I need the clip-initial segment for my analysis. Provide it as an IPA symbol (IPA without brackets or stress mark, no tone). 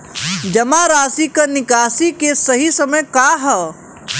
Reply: d͡ʒ